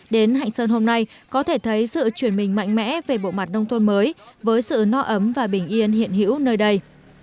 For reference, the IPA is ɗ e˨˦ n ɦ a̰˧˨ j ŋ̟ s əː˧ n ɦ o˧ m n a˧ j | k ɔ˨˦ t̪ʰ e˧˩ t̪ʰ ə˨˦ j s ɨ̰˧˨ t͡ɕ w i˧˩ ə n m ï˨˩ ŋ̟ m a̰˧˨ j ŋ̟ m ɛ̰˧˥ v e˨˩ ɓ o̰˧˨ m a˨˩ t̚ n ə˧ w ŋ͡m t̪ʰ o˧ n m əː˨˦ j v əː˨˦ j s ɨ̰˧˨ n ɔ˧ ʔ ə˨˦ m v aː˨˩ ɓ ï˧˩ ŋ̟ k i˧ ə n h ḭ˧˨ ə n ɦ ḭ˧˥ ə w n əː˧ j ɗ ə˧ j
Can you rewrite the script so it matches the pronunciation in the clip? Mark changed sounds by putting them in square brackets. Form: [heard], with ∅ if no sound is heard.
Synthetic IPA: ɗ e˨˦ n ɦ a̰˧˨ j ŋ̟ s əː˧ n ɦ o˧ m n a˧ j | k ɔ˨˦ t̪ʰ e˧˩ t̪ʰ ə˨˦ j s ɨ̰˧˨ t͡ɕ w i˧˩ ə n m ï˨˩ ŋ̟ m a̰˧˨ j ŋ̟ m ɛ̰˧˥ v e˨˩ ɓ o̰˧˨ m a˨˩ t̚ n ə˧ w ŋ͡m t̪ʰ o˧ n m əː˨˦ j v əː˨˦ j s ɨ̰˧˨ n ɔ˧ ʔ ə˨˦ m v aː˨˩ ɓ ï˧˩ ŋ̟ [ʔ] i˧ ə n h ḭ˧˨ ə n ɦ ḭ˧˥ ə w n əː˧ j ɗ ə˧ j